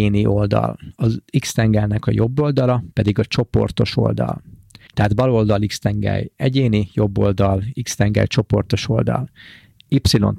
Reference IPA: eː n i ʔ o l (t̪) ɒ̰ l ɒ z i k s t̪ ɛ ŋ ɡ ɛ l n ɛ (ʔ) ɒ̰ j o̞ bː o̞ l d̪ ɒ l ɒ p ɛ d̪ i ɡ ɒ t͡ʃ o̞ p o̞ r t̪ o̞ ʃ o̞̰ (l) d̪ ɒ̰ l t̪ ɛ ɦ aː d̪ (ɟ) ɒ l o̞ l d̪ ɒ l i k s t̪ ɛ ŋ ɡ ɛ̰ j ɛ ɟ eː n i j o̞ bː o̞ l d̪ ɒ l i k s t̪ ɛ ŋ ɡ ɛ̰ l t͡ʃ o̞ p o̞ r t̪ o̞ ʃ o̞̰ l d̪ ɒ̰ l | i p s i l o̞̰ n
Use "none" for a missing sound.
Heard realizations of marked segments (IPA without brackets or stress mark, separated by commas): d̪, k, l, b